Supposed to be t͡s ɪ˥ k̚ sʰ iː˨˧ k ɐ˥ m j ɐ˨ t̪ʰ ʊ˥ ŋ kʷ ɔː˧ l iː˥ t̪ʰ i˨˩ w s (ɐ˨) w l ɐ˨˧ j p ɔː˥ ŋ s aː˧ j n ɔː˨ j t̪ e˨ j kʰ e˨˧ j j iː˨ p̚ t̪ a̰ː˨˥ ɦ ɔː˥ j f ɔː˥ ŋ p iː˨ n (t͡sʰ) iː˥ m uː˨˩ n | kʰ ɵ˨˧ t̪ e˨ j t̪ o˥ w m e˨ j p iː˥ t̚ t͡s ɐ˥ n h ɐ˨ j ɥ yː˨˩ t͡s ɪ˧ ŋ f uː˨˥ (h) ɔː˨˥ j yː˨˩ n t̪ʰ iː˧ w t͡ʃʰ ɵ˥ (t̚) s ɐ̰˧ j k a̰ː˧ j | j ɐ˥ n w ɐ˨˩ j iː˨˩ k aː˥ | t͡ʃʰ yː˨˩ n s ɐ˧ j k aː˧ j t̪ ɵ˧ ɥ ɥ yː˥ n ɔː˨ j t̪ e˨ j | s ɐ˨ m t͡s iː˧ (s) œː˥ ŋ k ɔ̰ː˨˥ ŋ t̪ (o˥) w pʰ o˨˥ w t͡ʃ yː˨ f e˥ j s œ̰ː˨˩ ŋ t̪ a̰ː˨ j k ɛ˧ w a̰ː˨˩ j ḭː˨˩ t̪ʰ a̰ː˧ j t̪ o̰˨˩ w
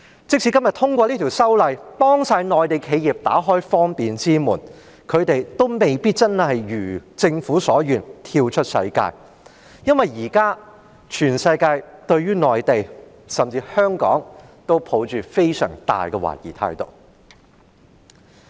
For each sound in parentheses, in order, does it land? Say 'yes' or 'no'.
no, no, no, yes, no, yes

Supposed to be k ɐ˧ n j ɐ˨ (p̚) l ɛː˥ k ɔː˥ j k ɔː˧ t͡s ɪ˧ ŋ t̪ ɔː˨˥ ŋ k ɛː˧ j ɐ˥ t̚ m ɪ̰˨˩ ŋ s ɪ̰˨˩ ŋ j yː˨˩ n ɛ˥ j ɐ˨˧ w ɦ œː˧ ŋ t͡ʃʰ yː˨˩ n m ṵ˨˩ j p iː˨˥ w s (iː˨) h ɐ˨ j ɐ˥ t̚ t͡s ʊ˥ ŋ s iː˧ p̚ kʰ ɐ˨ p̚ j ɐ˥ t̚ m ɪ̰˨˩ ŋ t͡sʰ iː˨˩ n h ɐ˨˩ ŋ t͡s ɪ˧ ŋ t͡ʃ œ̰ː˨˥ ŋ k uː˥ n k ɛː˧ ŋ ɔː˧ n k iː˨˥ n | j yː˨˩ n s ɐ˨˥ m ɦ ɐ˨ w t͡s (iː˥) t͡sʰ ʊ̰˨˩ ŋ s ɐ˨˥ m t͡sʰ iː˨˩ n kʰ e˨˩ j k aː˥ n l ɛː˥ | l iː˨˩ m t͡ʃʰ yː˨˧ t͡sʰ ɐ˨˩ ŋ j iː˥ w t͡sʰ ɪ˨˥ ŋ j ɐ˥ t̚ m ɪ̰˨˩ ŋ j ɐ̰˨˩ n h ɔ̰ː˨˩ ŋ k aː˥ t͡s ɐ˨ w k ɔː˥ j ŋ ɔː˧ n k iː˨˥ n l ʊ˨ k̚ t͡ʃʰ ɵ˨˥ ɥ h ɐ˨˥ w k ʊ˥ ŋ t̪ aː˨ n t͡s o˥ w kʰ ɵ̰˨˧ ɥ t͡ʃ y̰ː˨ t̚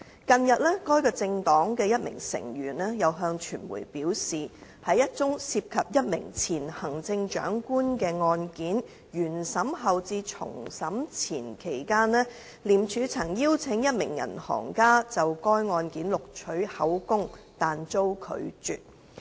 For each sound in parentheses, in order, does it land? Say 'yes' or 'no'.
no, yes, no

